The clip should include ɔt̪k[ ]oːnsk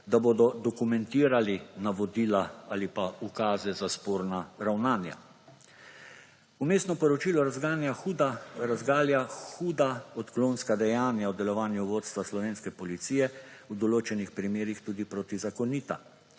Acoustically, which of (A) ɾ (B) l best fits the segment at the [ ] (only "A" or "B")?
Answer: B